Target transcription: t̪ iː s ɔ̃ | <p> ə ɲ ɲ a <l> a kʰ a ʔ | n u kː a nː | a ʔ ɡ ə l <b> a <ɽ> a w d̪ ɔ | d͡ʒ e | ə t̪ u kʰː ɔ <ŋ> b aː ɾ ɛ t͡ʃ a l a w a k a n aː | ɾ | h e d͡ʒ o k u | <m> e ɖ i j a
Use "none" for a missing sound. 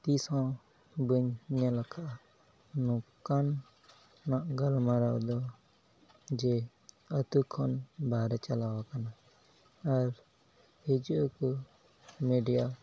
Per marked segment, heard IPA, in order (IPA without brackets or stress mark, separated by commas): b, l, m, ɾ, n, m